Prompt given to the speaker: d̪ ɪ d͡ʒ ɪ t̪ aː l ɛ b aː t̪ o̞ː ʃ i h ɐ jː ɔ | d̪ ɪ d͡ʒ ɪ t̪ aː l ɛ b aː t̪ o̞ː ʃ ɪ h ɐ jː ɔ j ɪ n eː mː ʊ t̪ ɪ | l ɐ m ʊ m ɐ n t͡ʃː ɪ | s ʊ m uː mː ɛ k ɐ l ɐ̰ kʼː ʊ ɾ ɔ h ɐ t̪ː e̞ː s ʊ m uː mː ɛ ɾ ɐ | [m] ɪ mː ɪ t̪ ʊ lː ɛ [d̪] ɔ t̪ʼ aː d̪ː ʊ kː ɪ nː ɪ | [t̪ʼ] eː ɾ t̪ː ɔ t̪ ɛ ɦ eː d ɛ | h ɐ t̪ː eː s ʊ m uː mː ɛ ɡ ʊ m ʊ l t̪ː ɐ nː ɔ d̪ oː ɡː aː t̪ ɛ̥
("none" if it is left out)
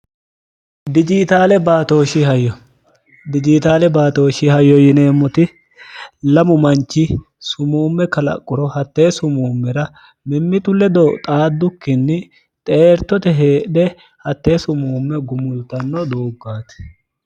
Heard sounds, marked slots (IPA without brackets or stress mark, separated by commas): m, d̪, t̪ʼ